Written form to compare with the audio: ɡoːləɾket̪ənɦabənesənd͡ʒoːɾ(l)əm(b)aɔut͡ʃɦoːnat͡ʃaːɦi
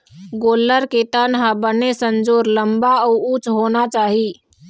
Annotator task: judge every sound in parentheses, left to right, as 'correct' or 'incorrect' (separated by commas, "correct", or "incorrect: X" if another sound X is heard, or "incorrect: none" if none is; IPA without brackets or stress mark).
correct, correct